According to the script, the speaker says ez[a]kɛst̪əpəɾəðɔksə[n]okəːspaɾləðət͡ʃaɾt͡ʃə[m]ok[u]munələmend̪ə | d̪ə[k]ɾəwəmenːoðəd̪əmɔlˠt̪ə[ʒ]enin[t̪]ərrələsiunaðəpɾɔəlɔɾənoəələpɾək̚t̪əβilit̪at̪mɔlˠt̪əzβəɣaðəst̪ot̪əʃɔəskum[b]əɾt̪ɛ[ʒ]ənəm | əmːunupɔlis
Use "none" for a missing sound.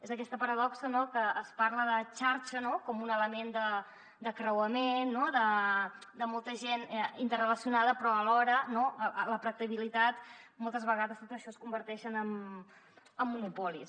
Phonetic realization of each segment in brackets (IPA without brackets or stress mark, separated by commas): ə, n, n, ɔ, k, ʒ, t̪, b, ʃ